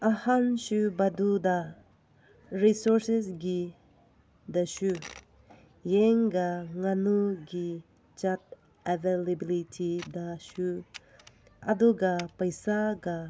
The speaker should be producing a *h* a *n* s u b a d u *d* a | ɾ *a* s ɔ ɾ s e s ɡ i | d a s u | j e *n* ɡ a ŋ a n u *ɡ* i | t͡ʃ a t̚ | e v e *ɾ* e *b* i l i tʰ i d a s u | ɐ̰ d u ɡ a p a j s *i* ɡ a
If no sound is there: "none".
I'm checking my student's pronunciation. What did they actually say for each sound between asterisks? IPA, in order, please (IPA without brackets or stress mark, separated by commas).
h, n, d, i, ŋ, ɡ, l, b, a